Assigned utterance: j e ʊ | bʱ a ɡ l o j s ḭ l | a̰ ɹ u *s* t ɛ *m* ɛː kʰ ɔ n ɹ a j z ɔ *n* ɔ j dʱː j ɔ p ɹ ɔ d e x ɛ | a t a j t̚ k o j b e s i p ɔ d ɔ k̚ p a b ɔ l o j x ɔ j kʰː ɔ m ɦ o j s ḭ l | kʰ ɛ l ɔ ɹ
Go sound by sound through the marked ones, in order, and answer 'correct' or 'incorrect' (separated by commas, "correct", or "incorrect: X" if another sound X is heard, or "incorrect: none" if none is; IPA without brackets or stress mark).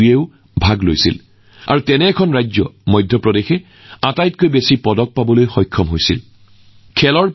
incorrect: none, incorrect: n, incorrect: m